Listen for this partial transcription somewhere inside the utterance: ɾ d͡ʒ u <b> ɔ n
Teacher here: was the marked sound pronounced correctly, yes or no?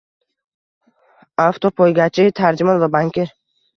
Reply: no